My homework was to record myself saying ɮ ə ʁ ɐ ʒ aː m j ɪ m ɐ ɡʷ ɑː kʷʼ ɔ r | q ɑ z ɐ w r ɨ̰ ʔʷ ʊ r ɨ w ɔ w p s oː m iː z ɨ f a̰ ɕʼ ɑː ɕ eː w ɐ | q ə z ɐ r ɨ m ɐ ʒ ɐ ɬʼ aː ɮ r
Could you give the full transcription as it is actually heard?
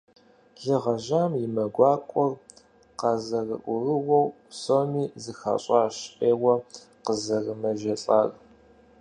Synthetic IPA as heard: ɮ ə ʁ ɐ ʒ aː m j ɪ m ɐ ɡʷ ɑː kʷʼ ɔ r | q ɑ z ɐ r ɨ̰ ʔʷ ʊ r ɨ w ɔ w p s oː m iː z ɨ x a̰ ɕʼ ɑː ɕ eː w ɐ | q ə z ɐ r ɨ m ɐ ʒ ɐ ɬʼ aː r